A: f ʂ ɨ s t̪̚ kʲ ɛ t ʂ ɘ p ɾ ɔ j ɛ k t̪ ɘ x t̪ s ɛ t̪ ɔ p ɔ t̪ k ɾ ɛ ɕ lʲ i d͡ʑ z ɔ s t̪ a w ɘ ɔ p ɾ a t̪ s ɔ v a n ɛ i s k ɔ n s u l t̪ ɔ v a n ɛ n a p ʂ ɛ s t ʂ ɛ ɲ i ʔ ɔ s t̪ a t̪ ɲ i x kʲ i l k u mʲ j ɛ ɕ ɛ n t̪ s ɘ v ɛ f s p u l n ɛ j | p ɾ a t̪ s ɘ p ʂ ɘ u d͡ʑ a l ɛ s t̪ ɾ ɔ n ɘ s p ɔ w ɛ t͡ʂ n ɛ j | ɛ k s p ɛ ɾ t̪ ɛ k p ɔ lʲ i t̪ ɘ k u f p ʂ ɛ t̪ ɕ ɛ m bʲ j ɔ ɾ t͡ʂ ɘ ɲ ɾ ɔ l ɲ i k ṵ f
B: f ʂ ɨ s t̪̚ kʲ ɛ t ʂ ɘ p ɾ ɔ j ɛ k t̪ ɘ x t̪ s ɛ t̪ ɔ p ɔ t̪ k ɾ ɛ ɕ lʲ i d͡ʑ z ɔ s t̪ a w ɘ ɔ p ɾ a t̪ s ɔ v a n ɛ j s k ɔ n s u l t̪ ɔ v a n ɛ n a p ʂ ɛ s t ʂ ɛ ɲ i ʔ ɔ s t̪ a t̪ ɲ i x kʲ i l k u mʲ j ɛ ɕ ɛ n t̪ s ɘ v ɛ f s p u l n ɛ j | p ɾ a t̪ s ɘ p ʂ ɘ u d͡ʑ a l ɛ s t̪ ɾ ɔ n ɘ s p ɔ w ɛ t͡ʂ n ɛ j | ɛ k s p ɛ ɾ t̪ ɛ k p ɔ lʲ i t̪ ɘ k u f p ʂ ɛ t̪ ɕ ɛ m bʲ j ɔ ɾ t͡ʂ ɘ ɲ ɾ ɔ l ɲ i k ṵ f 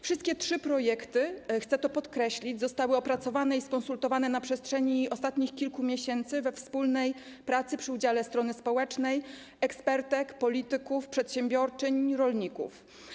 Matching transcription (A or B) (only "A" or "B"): A